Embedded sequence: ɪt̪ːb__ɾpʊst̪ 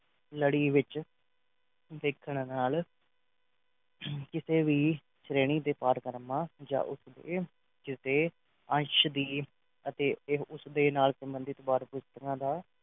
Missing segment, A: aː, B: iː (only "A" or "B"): A